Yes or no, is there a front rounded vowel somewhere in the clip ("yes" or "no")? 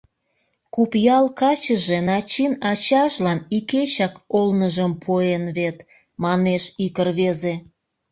no